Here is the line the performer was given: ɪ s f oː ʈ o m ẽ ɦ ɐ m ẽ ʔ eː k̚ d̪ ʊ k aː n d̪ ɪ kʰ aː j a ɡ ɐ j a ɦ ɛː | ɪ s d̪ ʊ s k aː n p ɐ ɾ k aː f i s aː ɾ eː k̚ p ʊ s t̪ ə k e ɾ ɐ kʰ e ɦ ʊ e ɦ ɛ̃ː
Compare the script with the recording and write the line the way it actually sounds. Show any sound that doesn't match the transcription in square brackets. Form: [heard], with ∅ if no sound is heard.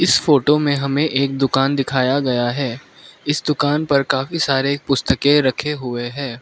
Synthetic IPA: ɪ s f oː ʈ o m ẽ ɦ ɐ m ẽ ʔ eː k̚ d̪ ʊ k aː n d̪ ɪ kʰ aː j a ɡ ɐ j a ɦ ɛː | ɪ s d̪ ʊ [∅] k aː n p ɐ ɾ k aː f i s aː ɾ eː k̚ p ʊ s t̪ ə k e ɾ ɐ kʰ e ɦ ʊ e ɦ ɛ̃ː